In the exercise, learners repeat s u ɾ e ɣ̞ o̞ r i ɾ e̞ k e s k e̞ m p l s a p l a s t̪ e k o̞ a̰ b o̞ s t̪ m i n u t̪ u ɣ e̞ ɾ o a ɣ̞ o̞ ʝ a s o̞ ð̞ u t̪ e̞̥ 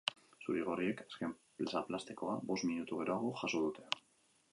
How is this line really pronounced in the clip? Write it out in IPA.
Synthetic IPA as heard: s u ɾ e ɣ̞ o̞ r i e̞ k a s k e̞ m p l s a p l a s t̪ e k o̞ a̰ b o̞ s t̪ m i n u t̪ u ɣ e̞ ɾ o a ɣ̞ o̞ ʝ a s o̞ ð̞ u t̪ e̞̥